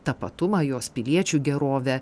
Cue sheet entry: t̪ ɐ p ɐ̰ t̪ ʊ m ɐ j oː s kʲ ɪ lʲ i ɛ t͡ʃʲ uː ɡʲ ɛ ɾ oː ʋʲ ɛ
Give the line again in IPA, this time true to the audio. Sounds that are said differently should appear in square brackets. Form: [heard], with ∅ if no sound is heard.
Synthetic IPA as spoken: t̪ ɐ p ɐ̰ t̪ ʊ m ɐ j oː s [pʲ] ɪ lʲ i ɛ t͡ʃʲ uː ɡʲ ɛ ɾ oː ʋʲ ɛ